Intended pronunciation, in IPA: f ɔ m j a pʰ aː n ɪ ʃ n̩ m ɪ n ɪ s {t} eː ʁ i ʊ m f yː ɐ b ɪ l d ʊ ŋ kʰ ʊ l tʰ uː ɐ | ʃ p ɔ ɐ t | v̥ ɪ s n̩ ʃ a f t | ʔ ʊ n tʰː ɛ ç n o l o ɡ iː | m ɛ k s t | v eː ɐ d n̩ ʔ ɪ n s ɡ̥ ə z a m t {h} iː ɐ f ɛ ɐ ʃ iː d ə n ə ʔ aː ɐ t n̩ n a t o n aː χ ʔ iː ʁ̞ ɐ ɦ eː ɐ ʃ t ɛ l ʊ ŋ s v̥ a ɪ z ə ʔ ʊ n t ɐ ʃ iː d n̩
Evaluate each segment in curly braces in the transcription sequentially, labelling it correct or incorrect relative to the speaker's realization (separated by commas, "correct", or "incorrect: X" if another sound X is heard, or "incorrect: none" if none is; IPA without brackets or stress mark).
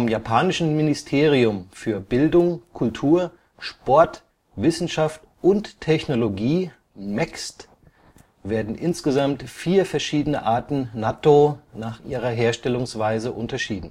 incorrect: tʰ, incorrect: f